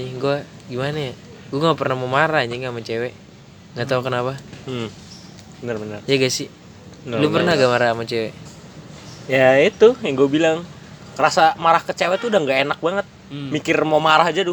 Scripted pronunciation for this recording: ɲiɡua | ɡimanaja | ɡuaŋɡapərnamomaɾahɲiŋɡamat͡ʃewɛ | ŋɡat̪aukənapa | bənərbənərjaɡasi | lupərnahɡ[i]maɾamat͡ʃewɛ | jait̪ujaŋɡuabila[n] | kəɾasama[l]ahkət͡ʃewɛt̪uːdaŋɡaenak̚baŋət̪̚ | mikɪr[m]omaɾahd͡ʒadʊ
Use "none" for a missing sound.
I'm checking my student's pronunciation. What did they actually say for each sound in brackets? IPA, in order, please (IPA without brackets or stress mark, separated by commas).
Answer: a, ŋ, ɾ, m